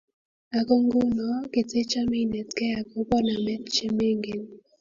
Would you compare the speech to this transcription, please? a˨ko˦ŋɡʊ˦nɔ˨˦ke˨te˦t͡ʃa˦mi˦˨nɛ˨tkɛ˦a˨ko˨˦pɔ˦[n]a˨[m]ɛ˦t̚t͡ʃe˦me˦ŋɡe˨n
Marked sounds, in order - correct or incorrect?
correct, correct

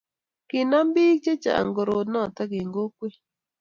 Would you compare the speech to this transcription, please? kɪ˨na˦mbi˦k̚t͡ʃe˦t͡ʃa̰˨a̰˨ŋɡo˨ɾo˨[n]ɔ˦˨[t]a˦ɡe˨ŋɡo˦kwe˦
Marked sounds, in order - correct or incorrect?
correct, correct

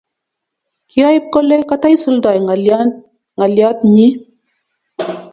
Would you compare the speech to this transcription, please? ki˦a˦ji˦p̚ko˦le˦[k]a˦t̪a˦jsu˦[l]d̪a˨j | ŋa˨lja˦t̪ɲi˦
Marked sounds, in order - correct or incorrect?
correct, correct

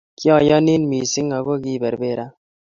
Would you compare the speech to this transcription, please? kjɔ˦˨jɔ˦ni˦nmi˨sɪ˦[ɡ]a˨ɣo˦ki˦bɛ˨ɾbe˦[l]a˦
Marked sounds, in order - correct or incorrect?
incorrect: ŋ, incorrect: ɾ

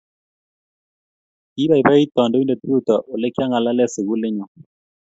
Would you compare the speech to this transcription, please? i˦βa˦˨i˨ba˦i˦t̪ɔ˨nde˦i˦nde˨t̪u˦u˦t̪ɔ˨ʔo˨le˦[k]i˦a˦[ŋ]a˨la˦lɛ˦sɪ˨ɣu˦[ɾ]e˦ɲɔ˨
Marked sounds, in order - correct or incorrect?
correct, correct, incorrect: l

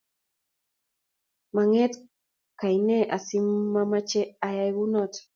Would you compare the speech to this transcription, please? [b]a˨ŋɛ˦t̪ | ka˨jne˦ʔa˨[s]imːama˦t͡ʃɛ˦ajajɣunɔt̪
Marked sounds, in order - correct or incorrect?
incorrect: m, correct

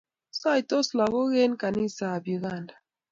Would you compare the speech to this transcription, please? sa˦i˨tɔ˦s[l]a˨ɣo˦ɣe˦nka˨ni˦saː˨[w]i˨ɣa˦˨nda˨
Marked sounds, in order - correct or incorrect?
correct, incorrect: b

